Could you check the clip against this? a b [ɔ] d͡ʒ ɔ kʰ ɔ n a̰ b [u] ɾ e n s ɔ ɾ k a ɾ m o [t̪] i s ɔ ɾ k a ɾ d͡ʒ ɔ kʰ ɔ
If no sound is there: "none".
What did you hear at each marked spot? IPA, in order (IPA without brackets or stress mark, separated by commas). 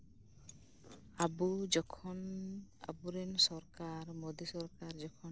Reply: u, u, d̪